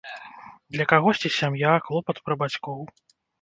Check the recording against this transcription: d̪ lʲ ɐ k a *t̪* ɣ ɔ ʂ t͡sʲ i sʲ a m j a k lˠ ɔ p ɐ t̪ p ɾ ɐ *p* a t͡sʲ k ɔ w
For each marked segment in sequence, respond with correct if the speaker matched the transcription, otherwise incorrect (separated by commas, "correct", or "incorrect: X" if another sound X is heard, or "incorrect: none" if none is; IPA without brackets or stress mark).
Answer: incorrect: none, incorrect: b